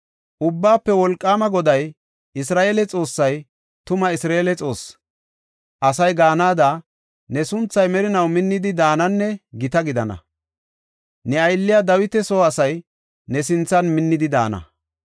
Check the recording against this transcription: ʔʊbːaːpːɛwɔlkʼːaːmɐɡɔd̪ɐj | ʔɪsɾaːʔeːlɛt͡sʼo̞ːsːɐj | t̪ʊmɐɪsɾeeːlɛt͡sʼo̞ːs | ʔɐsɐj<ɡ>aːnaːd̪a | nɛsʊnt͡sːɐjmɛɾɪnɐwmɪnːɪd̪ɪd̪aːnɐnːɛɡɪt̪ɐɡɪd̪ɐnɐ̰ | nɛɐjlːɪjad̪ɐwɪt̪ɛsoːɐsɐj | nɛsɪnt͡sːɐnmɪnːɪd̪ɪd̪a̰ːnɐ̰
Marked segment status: correct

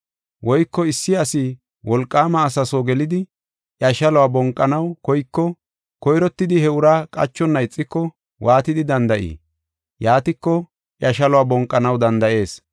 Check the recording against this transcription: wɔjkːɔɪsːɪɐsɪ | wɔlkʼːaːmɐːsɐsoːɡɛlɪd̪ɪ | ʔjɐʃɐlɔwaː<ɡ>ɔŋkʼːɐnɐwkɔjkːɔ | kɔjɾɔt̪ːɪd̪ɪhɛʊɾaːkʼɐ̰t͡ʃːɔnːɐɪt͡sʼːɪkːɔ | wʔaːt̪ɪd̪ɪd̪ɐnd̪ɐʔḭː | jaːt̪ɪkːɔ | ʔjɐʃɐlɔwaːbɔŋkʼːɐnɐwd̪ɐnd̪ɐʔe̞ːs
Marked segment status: incorrect: b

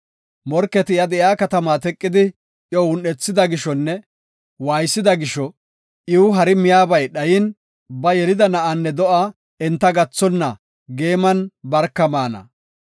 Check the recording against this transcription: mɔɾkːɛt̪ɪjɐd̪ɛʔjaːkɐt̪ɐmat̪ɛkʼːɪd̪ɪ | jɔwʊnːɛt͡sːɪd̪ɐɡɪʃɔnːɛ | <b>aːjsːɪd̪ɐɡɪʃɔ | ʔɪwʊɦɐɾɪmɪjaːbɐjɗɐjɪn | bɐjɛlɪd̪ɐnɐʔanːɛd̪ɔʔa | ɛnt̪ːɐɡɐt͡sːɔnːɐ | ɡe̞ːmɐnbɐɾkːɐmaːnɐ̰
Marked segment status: incorrect: w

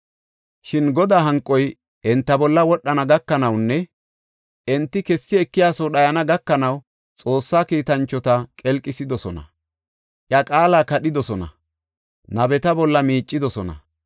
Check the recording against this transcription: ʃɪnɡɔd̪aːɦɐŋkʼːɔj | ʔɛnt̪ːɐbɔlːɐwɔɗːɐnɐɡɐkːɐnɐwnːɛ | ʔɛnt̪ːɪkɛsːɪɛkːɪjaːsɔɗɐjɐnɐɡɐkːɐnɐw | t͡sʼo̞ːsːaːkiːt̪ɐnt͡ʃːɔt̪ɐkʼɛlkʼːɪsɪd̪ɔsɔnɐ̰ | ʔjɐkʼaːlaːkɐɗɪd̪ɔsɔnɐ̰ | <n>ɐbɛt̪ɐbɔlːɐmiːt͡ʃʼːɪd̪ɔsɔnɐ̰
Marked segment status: correct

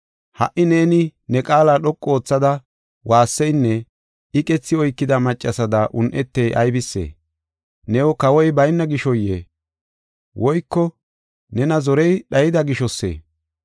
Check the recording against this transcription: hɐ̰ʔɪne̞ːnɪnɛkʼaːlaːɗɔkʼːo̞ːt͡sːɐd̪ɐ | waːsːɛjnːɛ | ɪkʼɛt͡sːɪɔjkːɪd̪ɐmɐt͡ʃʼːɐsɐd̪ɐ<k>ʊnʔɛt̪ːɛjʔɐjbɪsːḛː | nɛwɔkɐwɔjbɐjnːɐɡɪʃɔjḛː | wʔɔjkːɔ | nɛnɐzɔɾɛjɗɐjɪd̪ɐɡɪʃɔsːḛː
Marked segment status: incorrect: ʔ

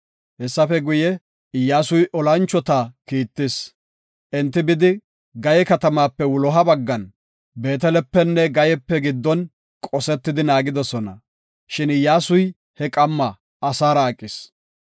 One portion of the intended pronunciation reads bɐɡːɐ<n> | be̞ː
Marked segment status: correct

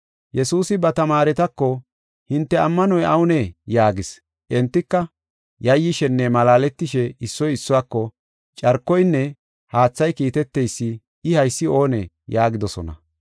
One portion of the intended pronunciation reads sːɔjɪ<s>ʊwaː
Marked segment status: incorrect: sː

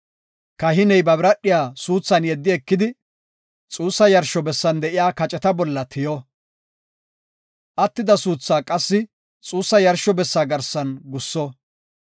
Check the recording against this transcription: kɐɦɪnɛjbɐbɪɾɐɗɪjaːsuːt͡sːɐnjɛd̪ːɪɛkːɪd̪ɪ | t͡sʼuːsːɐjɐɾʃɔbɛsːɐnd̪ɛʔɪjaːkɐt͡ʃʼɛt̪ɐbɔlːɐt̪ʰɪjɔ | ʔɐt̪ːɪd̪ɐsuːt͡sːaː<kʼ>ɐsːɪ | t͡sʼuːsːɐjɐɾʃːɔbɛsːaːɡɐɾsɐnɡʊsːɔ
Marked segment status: correct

